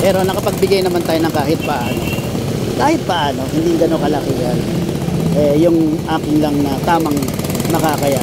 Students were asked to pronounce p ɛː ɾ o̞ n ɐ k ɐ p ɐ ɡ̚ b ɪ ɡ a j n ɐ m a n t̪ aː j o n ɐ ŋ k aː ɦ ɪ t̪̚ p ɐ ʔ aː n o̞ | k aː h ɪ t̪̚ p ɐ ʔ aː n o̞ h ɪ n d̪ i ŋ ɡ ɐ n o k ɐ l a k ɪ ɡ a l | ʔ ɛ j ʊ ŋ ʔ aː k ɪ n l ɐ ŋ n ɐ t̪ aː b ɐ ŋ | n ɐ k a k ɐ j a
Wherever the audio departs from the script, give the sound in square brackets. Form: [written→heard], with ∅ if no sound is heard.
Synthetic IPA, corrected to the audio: p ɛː ɾ o̞ n ɐ k ɐ p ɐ ɡ̚ b ɪ ɡ a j n ɐ m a n t̪ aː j o n ɐ ŋ k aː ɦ ɪ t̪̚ p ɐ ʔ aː n o̞ | k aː h ɪ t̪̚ p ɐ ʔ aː n o̞ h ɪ n d̪ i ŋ ɡ ɐ n o k ɐ l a k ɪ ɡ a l | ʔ ɛ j ʊ ŋ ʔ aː k ɪ n l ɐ ŋ n ɐ t̪ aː [b→m] ɐ ŋ | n ɐ k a k ɐ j a